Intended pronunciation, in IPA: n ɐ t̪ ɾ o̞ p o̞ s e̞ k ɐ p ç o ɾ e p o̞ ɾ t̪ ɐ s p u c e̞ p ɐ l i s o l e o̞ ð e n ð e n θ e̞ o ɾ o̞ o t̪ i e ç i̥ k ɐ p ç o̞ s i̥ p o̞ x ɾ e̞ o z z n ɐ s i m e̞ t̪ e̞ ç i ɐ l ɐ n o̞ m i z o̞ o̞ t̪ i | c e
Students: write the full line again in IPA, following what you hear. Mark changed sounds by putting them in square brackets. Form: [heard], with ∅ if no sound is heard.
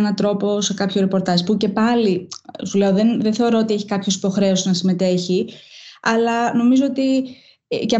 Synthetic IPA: n ɐ t̪ ɾ o̞ p o̞ s e̞ k ɐ p ç o ɾ e p o̞ ɾ t̪ ɐ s p u c e̞ p ɐ l i s [u] l e o̞ ð e n ð e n θ e̞ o ɾ o̞ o t̪ i e ç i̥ k ɐ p ç o̞ s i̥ p o̞ x ɾ e̞ o [s] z n ɐ s i m e̞ t̪ e̞ ç i ɐ l ɐ n o̞ m i z o̞ o̞ t̪ i | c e